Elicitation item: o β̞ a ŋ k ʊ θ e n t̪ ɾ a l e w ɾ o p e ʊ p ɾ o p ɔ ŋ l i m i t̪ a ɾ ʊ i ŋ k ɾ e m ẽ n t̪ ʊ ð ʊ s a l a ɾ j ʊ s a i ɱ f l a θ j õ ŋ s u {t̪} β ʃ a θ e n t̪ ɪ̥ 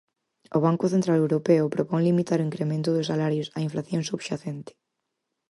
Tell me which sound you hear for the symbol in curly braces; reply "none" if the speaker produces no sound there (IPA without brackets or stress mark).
none